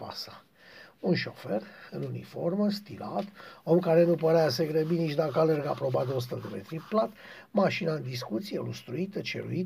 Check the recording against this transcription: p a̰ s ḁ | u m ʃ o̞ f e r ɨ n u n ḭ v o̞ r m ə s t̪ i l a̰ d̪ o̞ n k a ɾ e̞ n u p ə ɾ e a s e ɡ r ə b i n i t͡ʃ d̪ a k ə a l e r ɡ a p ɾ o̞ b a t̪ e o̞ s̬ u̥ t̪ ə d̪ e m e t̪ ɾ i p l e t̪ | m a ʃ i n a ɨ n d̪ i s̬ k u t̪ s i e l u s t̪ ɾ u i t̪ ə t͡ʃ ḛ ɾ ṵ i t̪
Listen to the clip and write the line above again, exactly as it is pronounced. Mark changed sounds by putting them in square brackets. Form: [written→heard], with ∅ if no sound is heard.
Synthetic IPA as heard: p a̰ s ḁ | u [m→n] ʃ o̞ f e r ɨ n u n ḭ [v→f] o̞ r m ə s t̪ i l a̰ [d̪→t̪] o̞ [n→m] k a ɾ e̞ n u p ə ɾ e a s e ɡ [r→ɾ] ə b i n i t͡ʃ d̪ a k ə a l e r ɡ a p ɾ o̞ b a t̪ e o̞ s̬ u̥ t̪ ə d̪ e m e t̪ ɾ i p l [e→a] t̪ | m a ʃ i n a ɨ n d̪ i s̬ k u t̪ s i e l u s t̪ ɾ u i t̪ ə t͡ʃ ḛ ɾ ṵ i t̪